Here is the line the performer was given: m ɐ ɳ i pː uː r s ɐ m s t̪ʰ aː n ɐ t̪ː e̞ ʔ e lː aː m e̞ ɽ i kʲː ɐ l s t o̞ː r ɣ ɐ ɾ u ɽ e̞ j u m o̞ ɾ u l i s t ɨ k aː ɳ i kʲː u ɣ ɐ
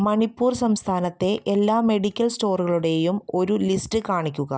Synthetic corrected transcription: m ɐ ɳ i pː uː r s ɐ m s t̪ʰ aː n ɐ t̪ː e̞ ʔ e lː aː m e̞ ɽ i kʲː ɐ l s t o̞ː r ɣ ɐ ɭ u ɽ e̞ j u m o̞ ɾ u l i s t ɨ k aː ɳ i kʲː u ɣ ɐ